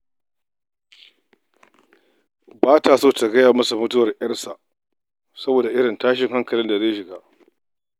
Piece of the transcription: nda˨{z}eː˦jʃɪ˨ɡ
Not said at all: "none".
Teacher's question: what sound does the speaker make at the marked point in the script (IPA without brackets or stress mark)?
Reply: z